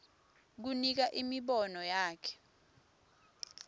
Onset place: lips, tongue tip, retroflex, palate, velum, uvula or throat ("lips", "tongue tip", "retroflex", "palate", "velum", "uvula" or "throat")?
velum